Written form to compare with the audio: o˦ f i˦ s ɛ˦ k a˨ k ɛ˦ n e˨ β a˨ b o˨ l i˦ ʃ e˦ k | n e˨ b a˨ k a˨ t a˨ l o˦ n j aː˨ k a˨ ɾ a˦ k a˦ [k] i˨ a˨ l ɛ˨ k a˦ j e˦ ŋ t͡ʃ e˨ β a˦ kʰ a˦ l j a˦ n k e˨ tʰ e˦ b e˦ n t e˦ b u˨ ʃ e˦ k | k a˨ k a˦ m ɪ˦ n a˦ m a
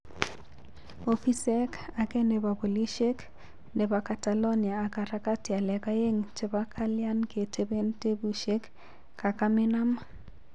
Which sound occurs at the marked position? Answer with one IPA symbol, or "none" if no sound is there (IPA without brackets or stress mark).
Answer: t